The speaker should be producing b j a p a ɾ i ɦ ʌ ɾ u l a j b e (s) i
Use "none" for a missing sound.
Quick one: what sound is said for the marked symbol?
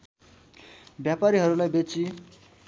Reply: t͡s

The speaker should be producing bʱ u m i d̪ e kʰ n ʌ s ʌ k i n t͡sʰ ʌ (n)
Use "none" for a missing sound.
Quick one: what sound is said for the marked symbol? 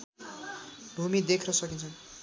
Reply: n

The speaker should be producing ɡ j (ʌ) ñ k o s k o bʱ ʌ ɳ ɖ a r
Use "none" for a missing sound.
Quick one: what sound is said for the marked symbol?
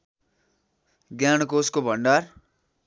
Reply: a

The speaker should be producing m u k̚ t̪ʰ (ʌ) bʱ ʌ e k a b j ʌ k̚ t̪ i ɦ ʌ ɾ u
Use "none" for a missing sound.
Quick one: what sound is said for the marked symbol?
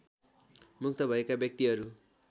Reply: ʌ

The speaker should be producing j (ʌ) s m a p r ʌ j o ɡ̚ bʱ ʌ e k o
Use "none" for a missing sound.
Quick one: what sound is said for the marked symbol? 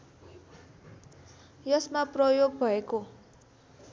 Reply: ʌ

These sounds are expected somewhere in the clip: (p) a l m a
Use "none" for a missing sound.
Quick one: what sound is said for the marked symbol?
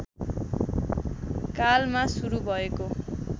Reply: k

